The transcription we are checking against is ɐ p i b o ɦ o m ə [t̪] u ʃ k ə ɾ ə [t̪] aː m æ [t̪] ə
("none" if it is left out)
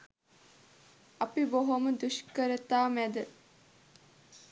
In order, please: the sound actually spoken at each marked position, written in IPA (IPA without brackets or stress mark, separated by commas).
d̪, t̪, d̪